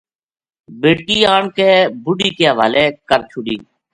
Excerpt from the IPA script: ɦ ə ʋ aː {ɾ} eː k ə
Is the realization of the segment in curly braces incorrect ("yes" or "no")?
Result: yes